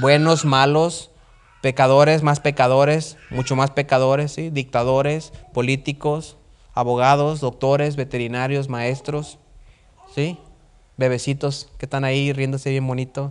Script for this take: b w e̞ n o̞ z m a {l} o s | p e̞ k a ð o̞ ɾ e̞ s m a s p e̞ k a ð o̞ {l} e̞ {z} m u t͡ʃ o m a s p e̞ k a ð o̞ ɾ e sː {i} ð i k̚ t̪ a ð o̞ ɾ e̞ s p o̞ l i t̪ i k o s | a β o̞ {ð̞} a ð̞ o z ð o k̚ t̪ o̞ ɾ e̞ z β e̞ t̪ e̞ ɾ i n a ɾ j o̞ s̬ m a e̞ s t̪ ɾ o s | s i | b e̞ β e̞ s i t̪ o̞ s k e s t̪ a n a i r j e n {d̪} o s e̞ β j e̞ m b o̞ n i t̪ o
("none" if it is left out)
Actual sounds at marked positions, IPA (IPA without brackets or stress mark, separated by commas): l, ɾ, s, i, ɣ̞, d̪